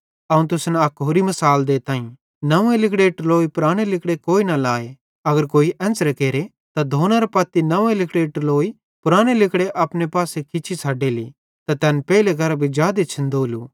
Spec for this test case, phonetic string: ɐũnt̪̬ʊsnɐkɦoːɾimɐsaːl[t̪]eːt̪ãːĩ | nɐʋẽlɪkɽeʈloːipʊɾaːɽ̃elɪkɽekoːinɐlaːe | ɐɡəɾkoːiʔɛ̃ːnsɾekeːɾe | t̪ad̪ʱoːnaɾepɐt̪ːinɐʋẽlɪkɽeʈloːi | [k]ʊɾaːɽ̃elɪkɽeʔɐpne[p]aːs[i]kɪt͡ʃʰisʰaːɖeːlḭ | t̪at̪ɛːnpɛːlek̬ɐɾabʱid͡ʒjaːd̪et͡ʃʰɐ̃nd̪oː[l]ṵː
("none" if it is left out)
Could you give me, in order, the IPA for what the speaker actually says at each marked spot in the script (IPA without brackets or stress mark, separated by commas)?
d̪, p, p, e, l